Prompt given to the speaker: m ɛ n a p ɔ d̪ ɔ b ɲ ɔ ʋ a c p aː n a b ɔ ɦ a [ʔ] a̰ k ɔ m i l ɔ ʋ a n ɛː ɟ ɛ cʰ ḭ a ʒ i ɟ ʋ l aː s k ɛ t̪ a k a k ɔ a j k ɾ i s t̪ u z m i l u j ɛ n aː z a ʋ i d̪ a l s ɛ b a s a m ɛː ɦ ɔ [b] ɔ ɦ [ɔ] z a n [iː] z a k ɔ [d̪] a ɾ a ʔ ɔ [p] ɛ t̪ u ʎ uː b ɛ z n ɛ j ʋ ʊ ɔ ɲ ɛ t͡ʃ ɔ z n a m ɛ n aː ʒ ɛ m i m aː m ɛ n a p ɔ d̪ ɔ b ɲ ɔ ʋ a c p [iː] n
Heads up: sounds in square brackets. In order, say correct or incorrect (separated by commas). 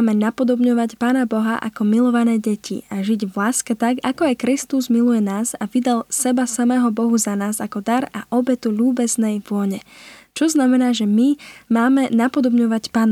correct, correct, incorrect, incorrect, correct, incorrect, incorrect